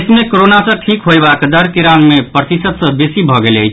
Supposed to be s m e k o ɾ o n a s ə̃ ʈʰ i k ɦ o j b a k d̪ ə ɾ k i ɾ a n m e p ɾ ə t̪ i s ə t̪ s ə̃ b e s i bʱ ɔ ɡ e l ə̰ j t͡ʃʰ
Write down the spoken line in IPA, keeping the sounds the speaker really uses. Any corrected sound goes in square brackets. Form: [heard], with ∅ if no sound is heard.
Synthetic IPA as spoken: s m e k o ɾ o n a s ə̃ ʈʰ i k ɦ o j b a k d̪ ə ɾ k i ɾ a n m e p ɾ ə t̪ i s ə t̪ s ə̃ b e s i bʱ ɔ ɡ e l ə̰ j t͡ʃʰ